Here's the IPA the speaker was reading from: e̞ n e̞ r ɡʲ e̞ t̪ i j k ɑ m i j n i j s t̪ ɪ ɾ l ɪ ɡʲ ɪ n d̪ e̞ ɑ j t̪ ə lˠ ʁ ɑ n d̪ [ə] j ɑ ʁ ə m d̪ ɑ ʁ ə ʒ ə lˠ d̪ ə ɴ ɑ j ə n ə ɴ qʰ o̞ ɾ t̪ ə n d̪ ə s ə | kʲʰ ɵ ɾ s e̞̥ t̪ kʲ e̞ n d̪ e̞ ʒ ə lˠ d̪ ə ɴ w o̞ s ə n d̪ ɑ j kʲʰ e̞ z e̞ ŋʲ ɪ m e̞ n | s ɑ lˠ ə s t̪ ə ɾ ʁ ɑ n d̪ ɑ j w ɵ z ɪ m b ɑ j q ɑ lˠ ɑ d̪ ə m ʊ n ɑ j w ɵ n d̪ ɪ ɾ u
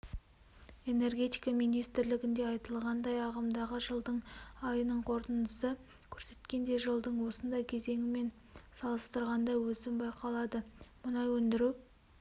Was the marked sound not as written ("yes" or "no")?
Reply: yes